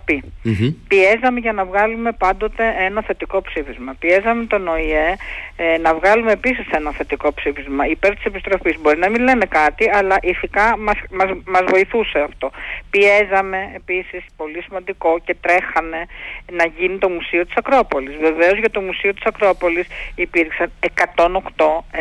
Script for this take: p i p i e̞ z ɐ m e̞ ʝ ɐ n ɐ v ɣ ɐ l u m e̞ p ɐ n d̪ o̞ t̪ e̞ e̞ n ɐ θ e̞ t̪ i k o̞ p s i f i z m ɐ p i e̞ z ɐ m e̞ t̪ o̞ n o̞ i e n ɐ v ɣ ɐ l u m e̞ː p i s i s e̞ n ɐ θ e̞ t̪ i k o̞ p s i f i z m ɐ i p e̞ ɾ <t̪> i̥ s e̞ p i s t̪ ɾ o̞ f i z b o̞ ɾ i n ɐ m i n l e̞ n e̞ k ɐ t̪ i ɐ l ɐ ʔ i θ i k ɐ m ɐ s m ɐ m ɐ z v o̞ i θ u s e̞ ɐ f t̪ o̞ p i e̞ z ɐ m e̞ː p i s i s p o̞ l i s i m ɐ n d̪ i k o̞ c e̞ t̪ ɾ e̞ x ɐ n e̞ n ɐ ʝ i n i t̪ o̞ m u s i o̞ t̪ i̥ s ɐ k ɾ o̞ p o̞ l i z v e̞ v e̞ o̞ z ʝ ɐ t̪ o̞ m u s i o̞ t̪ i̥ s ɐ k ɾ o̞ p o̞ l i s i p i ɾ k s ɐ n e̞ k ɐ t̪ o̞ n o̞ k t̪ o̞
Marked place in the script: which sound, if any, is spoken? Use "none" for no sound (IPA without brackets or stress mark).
t̪